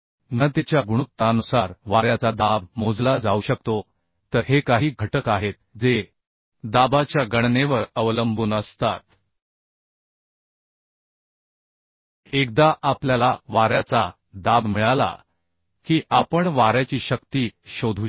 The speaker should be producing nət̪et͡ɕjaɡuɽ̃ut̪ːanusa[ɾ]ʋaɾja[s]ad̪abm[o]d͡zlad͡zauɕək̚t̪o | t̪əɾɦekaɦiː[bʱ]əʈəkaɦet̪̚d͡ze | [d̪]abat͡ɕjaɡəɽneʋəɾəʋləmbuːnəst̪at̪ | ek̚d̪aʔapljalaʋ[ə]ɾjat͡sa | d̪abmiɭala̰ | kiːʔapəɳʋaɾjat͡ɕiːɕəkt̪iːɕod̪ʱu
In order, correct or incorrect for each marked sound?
correct, incorrect, correct, incorrect, correct, incorrect

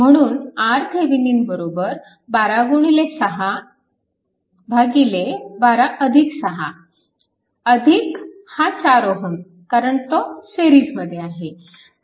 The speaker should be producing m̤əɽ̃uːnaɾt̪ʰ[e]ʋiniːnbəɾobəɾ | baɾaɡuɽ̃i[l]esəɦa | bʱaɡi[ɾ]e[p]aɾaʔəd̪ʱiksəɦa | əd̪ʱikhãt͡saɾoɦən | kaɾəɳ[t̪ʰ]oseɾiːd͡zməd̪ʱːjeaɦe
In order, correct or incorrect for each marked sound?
correct, correct, incorrect, incorrect, incorrect

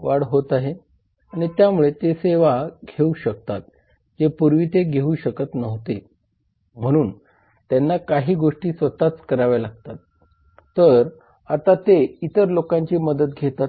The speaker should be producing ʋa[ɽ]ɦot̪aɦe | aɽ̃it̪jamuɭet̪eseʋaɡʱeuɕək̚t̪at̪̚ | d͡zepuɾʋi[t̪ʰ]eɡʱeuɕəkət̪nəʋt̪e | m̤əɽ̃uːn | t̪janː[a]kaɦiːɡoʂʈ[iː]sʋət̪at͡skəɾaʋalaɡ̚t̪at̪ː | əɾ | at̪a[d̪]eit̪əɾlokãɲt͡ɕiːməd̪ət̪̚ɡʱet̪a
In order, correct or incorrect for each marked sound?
correct, incorrect, correct, correct, incorrect

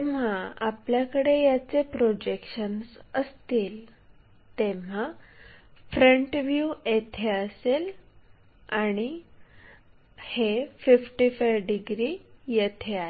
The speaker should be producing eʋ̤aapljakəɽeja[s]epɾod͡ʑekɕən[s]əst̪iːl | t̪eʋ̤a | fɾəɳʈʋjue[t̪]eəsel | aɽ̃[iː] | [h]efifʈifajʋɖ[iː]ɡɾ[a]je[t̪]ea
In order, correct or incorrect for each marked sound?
incorrect, correct, incorrect, incorrect, correct, incorrect, incorrect, incorrect

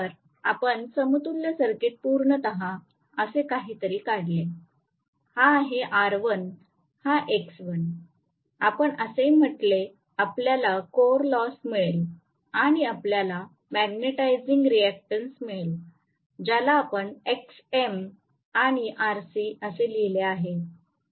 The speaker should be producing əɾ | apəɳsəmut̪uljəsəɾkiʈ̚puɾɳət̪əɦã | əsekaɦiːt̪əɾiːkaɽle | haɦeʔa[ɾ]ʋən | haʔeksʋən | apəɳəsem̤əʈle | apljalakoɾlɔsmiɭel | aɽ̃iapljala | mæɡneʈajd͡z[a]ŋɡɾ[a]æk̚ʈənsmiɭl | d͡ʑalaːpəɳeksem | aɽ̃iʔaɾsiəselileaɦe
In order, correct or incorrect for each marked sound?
correct, incorrect, incorrect

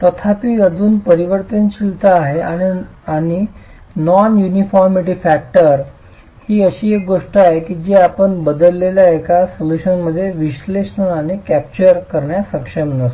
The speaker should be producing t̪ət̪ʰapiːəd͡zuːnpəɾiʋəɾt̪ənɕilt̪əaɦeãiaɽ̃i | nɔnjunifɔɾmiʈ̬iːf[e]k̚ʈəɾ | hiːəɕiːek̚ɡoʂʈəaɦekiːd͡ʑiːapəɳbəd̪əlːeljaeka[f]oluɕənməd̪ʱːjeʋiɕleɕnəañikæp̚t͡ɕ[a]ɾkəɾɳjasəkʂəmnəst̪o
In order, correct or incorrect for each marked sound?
incorrect, incorrect, incorrect

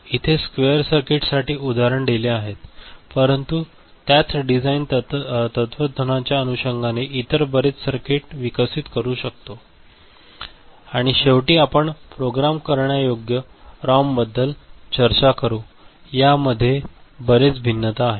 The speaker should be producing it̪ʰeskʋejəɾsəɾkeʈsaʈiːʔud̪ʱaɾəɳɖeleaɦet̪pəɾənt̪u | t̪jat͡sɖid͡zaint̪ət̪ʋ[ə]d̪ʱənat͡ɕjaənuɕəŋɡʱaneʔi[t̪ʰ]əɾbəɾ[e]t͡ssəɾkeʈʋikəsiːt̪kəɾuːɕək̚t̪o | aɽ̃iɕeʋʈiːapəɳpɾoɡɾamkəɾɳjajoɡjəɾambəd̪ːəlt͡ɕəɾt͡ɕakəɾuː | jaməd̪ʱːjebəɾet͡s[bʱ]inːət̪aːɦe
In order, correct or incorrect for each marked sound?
correct, incorrect, correct, correct

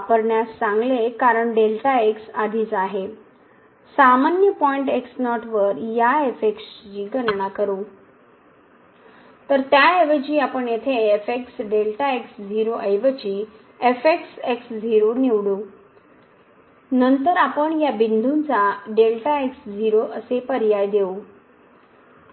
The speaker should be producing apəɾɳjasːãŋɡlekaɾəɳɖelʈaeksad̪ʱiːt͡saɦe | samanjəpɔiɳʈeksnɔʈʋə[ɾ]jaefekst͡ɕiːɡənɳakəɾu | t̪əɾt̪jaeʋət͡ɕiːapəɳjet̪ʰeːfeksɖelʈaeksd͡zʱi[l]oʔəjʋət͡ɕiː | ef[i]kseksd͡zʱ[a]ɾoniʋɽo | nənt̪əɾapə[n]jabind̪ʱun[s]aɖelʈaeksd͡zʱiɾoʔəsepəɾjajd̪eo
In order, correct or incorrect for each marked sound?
correct, incorrect, incorrect, incorrect, incorrect, incorrect

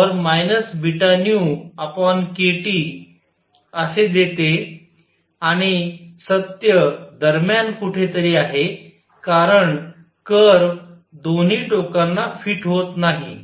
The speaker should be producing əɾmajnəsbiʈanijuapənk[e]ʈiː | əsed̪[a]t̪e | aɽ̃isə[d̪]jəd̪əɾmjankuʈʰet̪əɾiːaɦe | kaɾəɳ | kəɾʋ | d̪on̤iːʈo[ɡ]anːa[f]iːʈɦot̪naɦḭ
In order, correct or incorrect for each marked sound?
correct, incorrect, incorrect, incorrect, correct

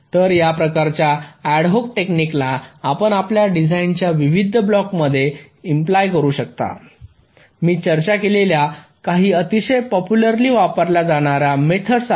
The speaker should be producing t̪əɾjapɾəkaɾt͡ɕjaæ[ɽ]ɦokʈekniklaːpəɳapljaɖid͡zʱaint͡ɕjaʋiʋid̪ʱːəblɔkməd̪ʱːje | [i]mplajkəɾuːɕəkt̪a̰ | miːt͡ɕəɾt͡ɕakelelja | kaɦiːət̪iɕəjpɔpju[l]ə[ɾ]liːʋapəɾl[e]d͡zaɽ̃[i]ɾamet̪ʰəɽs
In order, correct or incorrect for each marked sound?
correct, correct, correct, correct, incorrect, incorrect

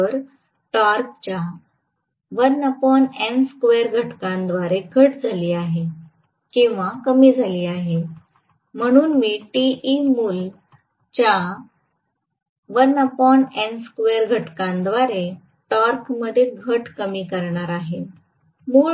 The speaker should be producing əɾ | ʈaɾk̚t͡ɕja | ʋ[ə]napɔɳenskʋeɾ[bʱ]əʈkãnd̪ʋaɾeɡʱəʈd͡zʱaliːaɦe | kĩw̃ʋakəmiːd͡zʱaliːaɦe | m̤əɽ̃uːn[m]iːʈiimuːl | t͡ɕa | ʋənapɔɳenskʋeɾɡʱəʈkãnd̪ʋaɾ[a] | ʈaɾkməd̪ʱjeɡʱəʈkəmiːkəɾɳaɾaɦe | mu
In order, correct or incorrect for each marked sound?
correct, incorrect, correct, incorrect

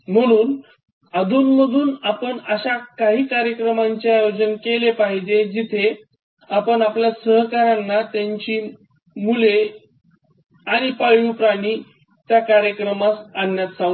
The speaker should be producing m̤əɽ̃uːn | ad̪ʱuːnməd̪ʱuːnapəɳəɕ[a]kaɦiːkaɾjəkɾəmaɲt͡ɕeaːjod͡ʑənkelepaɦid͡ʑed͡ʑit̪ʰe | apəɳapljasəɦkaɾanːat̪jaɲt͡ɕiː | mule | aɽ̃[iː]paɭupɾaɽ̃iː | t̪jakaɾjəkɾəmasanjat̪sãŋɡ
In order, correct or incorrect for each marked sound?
correct, incorrect

